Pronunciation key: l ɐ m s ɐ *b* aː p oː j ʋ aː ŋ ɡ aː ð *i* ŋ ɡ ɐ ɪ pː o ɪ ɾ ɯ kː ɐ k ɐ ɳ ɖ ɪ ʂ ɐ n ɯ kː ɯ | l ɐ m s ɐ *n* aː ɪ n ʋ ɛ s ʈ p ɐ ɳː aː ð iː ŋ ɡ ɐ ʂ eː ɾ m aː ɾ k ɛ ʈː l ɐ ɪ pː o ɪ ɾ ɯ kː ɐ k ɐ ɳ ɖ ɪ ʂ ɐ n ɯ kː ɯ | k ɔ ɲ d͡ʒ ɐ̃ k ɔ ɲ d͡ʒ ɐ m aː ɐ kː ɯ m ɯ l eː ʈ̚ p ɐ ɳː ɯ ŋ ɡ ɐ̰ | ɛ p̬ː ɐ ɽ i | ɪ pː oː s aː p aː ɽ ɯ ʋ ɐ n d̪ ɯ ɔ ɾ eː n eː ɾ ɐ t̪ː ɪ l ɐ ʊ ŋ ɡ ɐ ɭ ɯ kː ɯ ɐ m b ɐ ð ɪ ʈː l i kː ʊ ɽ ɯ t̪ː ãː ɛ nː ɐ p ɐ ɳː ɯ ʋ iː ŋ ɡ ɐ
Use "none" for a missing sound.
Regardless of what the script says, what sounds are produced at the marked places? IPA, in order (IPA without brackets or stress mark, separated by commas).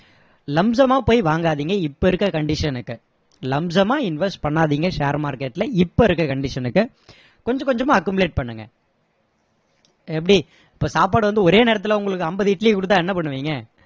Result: m, iː, m